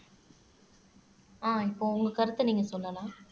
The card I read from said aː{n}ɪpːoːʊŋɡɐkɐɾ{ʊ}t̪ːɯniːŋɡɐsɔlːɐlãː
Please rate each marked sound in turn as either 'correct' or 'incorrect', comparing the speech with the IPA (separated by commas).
incorrect, incorrect